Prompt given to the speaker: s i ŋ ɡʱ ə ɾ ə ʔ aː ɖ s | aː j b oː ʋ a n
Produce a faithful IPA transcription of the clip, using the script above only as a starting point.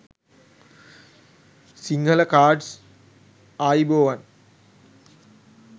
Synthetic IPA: s i ŋ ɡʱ ə l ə k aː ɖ s | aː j b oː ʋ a n